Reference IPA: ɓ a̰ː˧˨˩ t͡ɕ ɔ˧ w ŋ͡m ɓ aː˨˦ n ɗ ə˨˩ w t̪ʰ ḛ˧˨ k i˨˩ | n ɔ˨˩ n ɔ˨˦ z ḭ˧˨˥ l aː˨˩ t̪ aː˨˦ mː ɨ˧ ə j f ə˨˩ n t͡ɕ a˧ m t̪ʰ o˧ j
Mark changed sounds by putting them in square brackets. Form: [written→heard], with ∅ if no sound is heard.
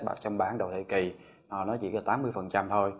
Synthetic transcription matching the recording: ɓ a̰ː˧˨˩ t͡ɕ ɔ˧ w ŋ͡m ɓ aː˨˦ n ɗ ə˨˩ w t̪ʰ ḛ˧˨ k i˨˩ | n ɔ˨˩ n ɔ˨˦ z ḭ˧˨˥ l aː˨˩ t̪ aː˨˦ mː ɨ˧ ə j f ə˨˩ n t͡ɕ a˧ m t̪ʰ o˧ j